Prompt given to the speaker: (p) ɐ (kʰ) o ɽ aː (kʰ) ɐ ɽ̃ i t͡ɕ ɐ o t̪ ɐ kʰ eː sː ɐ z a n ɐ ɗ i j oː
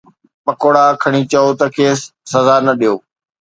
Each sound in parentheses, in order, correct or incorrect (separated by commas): correct, incorrect, correct